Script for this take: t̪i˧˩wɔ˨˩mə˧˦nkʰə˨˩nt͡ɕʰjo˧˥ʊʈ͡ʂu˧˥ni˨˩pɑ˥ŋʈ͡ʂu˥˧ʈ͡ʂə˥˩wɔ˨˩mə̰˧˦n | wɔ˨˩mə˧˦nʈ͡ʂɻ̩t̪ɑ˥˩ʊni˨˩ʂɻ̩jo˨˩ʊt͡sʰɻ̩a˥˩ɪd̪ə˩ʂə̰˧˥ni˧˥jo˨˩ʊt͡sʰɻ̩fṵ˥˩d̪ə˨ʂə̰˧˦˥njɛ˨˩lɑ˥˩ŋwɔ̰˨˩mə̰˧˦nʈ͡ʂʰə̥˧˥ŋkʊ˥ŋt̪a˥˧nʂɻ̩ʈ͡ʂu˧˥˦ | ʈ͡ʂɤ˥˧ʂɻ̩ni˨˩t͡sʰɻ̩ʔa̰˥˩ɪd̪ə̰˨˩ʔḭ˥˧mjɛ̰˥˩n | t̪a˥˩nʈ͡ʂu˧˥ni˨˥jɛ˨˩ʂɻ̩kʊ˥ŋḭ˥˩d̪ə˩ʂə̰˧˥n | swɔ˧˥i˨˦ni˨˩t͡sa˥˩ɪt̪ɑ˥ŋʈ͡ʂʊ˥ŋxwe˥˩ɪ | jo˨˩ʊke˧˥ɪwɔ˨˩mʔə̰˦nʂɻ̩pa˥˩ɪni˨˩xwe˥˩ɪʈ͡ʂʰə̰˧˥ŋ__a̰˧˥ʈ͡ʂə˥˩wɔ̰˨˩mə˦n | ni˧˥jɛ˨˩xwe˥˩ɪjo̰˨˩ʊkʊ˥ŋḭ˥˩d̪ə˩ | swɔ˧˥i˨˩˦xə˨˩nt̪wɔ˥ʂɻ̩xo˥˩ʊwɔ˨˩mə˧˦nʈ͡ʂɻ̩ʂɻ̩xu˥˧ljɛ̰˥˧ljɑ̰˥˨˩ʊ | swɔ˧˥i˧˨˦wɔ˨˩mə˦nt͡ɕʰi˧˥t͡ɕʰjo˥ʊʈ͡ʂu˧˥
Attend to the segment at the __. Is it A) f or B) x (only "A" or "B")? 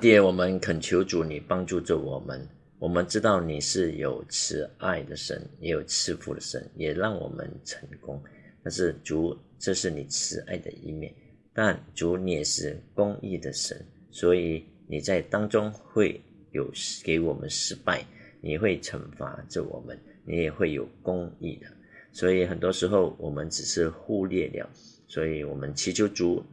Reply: A